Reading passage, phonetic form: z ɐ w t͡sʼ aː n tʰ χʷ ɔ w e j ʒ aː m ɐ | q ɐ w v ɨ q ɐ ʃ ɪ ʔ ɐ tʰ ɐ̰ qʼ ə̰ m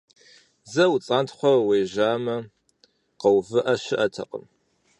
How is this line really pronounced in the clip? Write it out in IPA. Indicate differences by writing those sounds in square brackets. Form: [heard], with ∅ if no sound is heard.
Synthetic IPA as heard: z ɐ w t͡sʼ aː n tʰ χʷ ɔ w e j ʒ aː m ɐ | q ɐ w v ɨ [ʔ] ɐ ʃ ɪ ʔ ɐ tʰ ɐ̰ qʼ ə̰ m